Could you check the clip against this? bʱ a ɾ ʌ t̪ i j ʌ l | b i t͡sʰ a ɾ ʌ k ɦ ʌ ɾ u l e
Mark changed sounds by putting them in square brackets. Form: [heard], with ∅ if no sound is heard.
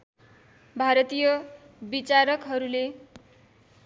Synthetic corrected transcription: bʱ a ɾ ʌ t̪ i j ʌ [∅] | b i [t͡s] a ɾ ʌ k ɦ ʌ ɾ u l e

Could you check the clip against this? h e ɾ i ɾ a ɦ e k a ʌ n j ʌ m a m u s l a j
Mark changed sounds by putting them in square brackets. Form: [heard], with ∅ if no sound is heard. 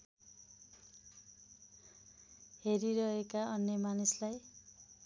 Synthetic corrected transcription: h e ɾ i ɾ [ʌ] ɦ e k a ʌ n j ʌ m a [n] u s l a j

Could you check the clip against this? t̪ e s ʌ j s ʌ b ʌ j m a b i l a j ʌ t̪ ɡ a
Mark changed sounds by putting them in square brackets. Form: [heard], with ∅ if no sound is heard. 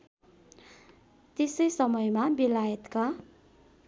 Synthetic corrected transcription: t̪ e s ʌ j s ʌ [m] ʌ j m a b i l a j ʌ t̪ [k] a

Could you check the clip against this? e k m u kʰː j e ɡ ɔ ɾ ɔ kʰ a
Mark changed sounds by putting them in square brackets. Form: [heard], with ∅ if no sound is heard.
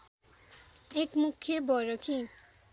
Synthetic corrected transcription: e k m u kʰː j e [b] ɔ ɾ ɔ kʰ [i]

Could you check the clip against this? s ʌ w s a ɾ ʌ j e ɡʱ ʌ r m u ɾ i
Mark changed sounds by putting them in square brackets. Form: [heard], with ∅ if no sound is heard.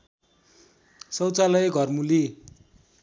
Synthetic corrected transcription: s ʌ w [t͡s] a [l] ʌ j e ɡʱ ʌ r m u [l] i

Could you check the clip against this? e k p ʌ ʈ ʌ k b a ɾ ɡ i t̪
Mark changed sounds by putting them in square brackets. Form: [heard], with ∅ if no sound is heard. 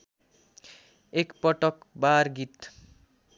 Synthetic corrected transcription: e k p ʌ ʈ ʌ k b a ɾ ɡ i t̪

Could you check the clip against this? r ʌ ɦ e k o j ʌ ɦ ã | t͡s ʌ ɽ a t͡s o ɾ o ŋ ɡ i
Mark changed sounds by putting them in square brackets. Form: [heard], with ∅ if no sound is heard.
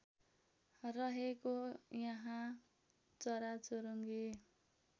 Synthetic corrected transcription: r ʌ ɦ e k o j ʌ ɦ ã | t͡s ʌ [ɾ] a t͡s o ɾ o ŋ ɡ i

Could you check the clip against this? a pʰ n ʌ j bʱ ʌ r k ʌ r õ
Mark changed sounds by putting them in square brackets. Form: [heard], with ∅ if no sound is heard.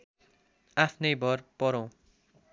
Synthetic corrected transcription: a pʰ n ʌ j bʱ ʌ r [p] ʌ [ɾ] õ

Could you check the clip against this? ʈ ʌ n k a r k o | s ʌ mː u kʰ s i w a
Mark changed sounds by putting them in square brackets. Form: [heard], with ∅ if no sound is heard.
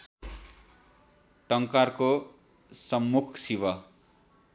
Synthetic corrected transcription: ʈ ʌ [ŋ] k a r k o | s ʌ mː u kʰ s i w [ʌ]

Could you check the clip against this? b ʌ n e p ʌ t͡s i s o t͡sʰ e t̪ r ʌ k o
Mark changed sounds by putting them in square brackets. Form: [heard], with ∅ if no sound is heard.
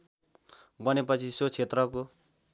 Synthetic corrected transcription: b ʌ n e p ʌ [t͡sʰ] i s o t͡sʰ e t̪ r ʌ k o

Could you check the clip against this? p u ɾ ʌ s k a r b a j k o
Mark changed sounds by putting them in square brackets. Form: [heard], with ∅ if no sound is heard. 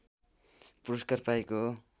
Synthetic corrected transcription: p u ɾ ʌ s k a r [p] a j k o

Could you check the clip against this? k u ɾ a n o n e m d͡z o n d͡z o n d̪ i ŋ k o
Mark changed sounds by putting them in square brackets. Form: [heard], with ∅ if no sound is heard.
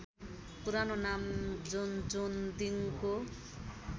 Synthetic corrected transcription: [p] u ɾ a n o n [a] m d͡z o n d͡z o n d̪ i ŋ k o

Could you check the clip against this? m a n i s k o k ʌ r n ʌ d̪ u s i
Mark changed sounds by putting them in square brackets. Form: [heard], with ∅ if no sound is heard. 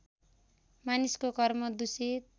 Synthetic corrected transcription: m a n i s k o k ʌ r [m] ʌ d̪ u s i

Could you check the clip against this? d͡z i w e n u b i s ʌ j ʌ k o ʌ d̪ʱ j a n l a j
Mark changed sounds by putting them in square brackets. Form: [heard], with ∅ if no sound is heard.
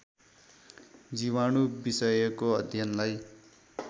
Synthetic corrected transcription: d͡z i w [a] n u b i s ʌ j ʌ k o ʌ d̪ʱ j [ʌ] n l a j

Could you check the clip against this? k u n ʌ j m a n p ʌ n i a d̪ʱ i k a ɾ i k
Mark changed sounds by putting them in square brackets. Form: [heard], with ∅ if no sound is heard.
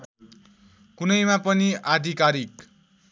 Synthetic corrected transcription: k u n ʌ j m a [∅] p ʌ n i a d̪ʱ i k a ɾ i k

